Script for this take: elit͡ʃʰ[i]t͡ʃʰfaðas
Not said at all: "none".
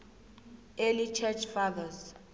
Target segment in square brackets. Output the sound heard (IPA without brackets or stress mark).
ɛ